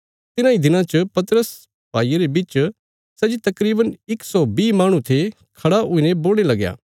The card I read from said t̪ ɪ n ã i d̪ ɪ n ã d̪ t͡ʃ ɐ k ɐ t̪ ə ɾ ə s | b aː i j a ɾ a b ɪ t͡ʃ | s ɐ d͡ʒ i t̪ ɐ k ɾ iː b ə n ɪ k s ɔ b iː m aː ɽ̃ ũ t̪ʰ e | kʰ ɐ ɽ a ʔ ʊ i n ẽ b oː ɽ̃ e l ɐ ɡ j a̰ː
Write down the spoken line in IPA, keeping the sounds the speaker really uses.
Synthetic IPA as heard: t̪ ɪ n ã i d̪ ɪ n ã t͡ʃ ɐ p ɐ t̪ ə ɾ ə s | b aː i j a ɾ e b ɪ t͡ʃ | s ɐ d͡ʒ i t̪ ɐ k ɾ iː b ə n ɪ k s ɔ b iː m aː ɽ̃ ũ t̪ʰ e | kʰ ɐ ɽ a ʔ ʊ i n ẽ b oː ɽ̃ e l ɐ ɡ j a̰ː